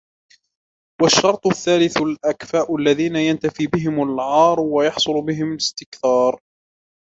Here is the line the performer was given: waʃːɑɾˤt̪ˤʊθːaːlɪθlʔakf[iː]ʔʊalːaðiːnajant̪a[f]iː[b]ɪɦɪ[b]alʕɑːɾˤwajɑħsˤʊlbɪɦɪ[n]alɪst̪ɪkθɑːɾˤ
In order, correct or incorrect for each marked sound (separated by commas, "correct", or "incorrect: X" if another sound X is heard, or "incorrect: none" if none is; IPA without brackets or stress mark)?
incorrect: aː, correct, correct, incorrect: m, incorrect: m